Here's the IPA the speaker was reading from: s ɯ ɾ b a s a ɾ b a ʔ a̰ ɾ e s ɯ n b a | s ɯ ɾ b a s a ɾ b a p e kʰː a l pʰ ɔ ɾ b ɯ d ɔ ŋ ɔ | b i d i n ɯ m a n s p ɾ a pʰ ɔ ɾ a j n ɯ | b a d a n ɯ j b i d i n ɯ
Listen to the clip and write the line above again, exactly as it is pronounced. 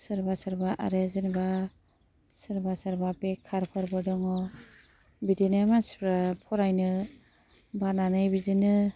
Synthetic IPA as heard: s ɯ ɾ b a s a ɾ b a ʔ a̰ ɾ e z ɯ n b a | s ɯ ɾ b a s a ɾ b a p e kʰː a ɾ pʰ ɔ ɾ b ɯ d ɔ ŋ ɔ | b i d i n ɯ m a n s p ɾ a pʰ ɔ ɾ a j n ɯ | b a n a n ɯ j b i d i n ɯ